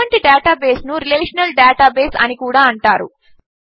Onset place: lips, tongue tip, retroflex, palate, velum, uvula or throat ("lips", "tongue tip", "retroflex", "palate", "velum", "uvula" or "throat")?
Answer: retroflex